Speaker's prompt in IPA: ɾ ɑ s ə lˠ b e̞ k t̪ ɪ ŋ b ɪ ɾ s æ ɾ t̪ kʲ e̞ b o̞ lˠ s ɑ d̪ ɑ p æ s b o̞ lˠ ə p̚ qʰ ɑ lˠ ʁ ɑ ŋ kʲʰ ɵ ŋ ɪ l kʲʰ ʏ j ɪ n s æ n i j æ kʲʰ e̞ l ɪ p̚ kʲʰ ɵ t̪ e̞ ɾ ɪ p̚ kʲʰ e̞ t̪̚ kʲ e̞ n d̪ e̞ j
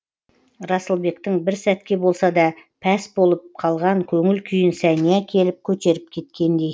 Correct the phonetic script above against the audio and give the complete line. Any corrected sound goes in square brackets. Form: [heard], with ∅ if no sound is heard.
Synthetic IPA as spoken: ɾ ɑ s ə lˠ b e̞ k t̪ ɪ ŋ b ɪ ɾ s æ [∅] t̪ kʲ e̞ b o̞ lˠ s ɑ d̪ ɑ [pʰ] æ s b o̞ lˠ ə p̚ qʰ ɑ lˠ ʁ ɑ ŋ kʲʰ ɵ ŋ ɪ l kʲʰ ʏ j ɪ n s æ n i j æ kʲʰ e̞ l ɪ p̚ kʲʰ ɵ t̪ e̞ ɾ ɪ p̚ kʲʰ e̞ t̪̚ kʲ e̞ n d̪ e̞ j

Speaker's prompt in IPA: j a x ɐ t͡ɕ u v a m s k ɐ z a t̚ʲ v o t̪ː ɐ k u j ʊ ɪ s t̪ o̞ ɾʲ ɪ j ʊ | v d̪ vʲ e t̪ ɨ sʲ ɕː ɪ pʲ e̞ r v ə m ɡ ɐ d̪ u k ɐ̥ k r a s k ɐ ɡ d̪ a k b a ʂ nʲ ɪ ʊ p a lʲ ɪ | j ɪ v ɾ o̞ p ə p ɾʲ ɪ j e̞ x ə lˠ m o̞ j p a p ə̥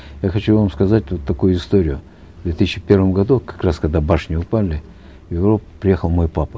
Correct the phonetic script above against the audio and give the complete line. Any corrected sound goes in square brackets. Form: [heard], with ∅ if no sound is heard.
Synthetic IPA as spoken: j a x ɐ t͡ɕ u v a m s k ɐ z a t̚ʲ v o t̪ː ɐ k u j ʊ ɪ s t̪ o̞ ɾʲ ɪ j ʊ | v d̪ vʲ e t̪ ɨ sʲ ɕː ɪ pʲ e̞ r v ə m ɡ ɐ d̪ u k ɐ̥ k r a s k ɐ ɡ d̪ a [∅] b a ʂ nʲ ɪ ʊ p a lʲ ɪ | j ɪ v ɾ o̞ p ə p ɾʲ ɪ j e̞ x ə lˠ m o̞ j p a p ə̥

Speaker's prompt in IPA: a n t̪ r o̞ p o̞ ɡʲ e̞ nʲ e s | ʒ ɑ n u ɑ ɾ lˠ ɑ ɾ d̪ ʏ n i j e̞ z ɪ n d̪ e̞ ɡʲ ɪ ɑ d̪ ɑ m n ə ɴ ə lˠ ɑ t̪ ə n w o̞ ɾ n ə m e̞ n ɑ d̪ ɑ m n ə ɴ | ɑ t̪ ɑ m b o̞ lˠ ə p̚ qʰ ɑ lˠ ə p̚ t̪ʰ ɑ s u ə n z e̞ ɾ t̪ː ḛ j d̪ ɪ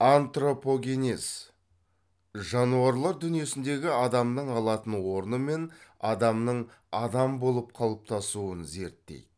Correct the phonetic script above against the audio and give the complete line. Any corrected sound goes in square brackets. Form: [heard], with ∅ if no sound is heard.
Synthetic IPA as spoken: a n t̪ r o̞ p o̞ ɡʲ e̞ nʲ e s | ʒ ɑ n u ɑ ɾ lˠ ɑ ɾ d̪ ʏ n i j e̞ [s] ɪ n d̪ e̞ ɡʲ ɪ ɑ d̪ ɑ m n ə ɴ [ɑ] lˠ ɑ t̪ ə n w o̞ ɾ n ə m e̞ n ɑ d̪ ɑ m n ə ɴ | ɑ [d̪] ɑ m b o̞ lˠ ə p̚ qʰ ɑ lˠ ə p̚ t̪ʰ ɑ s u ə n z e̞ ɾ t̪ː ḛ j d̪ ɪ

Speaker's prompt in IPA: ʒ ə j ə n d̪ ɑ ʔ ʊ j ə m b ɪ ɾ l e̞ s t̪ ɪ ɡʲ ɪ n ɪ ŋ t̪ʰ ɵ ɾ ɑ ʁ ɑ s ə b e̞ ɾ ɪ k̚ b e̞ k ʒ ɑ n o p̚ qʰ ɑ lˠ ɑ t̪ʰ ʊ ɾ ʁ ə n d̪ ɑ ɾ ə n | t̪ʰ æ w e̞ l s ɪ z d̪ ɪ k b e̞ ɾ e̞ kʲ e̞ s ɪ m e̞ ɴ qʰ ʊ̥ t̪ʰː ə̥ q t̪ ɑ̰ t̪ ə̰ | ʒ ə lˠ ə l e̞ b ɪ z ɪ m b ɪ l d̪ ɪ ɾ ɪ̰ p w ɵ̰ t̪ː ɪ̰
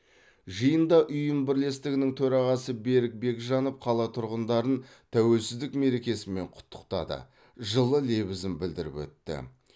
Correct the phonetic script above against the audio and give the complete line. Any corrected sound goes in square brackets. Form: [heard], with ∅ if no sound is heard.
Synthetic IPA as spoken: ʒ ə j ə n d̪ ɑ ʔ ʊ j ə m b ɪ ɾ l e̞ s t̪ ɪ ɡʲ ɪ n ɪ ŋ t̪ʰ ɵ ɾ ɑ ʁ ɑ s ə b e̞ ɾ ɪ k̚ b e̞ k ʒ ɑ n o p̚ qʰ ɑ lˠ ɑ t̪ʰ ʊ ɾ ʁ ə n d̪ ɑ ɾ ə n | t̪ʰ æ w e̞ l s ɪ z d̪ ɪ k [m] e̞ ɾ e̞ kʲ e̞ s ɪ m e̞ ɴ qʰ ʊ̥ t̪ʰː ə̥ q t̪ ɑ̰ [d̪] ə̰ | ʒ ə lˠ ə l e̞ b ɪ z ɪ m b ɪ l d̪ ɪ ɾ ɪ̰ p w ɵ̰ t̪ː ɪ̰

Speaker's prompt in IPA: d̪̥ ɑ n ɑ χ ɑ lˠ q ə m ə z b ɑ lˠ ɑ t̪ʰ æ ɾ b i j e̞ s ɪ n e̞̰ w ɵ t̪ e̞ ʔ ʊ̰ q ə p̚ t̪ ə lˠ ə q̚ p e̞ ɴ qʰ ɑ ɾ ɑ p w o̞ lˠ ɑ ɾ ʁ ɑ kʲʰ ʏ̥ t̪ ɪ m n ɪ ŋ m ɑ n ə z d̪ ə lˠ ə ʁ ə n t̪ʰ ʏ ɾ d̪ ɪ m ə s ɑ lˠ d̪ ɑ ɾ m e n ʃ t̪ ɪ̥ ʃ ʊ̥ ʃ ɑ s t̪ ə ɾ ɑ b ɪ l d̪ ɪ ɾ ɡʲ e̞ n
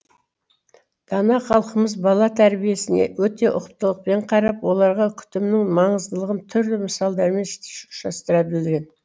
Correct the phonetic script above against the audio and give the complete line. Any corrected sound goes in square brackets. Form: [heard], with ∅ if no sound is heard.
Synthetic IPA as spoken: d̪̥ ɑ n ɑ χ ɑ lˠ q ə m ə z b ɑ lˠ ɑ t̪ʰ æ ɾ b i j e̞ s ɪ n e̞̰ w ɵ t̪ e̞ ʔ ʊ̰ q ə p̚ t̪ ə lˠ ə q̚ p e̞ ɴ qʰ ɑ ɾ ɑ p w o̞ lˠ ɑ ɾ ʁ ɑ kʲʰ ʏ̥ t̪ ɪ m n ɪ ŋ m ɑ [ɴ] ə z d̪ ə lˠ ə ʁ ə n t̪ʰ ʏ ɾ d̪ ɪ m ə s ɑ lˠ d̪ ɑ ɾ m e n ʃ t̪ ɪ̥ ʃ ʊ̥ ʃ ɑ s t̪ ə ɾ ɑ b ɪ l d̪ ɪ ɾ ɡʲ e̞ n

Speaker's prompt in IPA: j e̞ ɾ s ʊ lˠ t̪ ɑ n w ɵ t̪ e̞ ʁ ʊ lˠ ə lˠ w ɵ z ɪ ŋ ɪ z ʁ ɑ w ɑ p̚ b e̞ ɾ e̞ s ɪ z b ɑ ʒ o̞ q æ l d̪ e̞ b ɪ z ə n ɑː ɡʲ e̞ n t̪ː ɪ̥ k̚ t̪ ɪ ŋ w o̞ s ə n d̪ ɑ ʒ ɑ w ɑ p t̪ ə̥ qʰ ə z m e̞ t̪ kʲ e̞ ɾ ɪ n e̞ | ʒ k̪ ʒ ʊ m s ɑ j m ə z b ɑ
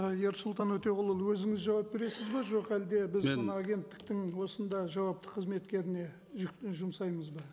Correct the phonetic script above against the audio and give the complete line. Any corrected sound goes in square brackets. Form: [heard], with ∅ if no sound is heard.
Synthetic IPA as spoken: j e̞ ɾ s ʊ lˠ t̪ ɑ n w ɵ t̪ e̞ ʁ ʊ lˠ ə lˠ w ɵ z ɪ ŋ ɪ z [ʒ] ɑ w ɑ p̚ b e̞ ɾ e̞ s ɪ z b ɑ ʒ o̞ q æ l d̪ e̞ b ɪ z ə n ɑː ɡʲ e̞ n t̪ː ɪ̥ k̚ t̪ ɪ ŋ w o̞ s ə n d̪ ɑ ʒ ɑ w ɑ p t̪ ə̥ qʰ ə z m e̞ t̪ kʲ e̞ ɾ ɪ n e̞ | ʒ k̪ ʒ ʊ m s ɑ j m ə z b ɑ

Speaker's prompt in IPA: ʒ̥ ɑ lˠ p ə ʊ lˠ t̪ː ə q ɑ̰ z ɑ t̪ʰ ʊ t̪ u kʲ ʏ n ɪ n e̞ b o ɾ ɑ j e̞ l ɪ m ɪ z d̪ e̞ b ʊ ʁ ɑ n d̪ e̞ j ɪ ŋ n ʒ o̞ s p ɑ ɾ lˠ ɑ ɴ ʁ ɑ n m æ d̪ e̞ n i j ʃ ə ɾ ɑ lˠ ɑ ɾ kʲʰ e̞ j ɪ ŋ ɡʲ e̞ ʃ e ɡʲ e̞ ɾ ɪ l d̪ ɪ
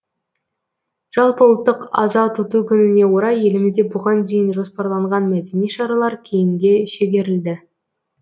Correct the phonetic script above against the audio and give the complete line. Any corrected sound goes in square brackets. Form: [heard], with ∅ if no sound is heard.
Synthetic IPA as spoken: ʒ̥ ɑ lˠ p ə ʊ lˠ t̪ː ə q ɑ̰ z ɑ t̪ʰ ʊ t̪ u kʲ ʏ n ɪ n e̞ [w] o ɾ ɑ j e̞ l ɪ m ɪ z d̪ e̞ b ʊ ʁ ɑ n d̪ e̞ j ɪ [∅] n ʒ o̞ s p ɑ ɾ lˠ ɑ ɴ ʁ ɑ n m æ d̪ e̞ n i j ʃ [ɑ] ɾ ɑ lˠ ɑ ɾ kʲʰ e̞ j ɪ ŋ ɡʲ e̞ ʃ e ɡʲ e̞ ɾ ɪ l d̪ ɪ

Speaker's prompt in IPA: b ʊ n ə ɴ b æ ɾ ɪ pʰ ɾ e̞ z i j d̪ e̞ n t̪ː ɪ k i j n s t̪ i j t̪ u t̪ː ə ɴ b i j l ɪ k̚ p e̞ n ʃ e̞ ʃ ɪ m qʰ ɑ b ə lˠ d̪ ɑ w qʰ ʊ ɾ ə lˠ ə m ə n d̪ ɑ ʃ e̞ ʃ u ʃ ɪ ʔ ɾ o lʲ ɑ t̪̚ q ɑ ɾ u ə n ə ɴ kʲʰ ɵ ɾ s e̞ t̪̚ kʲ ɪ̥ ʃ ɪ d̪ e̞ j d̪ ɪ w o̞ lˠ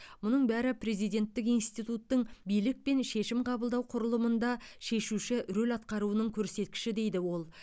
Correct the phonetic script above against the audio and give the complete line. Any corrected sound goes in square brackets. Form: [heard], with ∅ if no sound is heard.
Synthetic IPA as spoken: [m] ʊ n ə ɴ b æ ɾ ɪ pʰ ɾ e̞ z i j d̪ e̞ n t̪ː ɪ k i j n s t̪ i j t̪ u t̪ː ə ɴ b i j l ɪ k̚ p e̞ n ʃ e̞ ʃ ɪ m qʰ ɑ b ə lˠ d̪ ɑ w qʰ ʊ ɾ ə lˠ ə m ə n d̪ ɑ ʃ e̞ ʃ u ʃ ɪ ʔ ɾ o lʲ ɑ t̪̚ q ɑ ɾ u ə n ə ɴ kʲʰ ɵ ɾ s e̞ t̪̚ kʲ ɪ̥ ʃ ɪ d̪ e̞ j d̪ ɪ w o̞ lˠ

